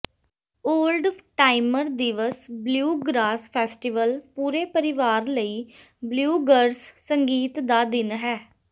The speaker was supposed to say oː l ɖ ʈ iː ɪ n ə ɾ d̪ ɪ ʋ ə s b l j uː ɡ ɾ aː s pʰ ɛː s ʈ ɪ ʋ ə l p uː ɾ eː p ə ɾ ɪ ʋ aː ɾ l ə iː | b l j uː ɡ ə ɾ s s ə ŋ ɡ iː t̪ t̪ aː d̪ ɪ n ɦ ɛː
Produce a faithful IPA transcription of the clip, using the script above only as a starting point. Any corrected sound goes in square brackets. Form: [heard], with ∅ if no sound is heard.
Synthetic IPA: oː l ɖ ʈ [aː] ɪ [m] ə ɾ d̪ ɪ ʋ ə s b l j uː ɡ ɾ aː s pʰ ɛː s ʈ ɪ ʋ ə l p uː ɾ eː p ə ɾ ɪ ʋ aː ɾ l ə iː | b l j uː ɡ ə ɾ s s ə ŋ ɡ iː t̪ [d̪] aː d̪ ɪ n ɦ ɛː